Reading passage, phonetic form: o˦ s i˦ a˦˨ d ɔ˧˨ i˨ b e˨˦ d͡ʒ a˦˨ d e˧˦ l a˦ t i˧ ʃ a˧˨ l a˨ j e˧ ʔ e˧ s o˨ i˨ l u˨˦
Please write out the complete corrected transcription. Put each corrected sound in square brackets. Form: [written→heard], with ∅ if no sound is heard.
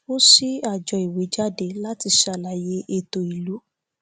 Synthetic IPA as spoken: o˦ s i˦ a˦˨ [d→d͡ʒ] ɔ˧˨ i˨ [b→w] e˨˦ d͡ʒ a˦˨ d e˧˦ l a˦ t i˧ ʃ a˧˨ l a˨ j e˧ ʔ e˧ [s→t] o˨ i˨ l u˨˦